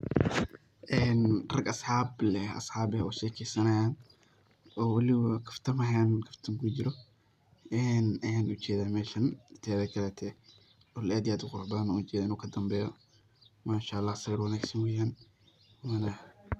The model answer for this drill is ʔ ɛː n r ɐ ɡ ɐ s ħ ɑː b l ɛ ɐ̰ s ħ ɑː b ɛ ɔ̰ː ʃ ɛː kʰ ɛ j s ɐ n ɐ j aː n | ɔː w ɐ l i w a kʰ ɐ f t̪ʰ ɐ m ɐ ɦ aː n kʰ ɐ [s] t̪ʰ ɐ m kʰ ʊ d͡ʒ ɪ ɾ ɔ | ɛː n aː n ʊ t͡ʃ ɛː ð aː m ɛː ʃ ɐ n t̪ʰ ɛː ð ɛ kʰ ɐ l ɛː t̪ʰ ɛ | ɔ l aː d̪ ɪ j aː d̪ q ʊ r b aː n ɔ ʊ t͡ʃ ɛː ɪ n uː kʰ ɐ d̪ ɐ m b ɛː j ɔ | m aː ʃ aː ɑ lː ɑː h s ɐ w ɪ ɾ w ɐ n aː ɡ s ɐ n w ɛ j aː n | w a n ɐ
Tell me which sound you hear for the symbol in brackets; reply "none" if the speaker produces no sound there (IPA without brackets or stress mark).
f